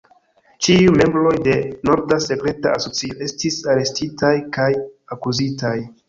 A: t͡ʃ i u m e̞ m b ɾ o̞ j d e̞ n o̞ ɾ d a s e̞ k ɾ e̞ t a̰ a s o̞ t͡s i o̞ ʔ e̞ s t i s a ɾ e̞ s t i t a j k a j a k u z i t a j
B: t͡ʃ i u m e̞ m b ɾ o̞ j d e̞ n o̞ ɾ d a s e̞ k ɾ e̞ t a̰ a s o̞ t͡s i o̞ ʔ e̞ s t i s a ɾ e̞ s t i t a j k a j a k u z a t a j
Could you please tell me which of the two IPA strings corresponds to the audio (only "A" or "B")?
A